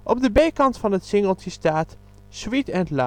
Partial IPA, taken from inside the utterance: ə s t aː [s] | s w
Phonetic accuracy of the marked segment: incorrect: t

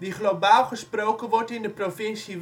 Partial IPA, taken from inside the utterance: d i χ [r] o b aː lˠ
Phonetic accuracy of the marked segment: incorrect: l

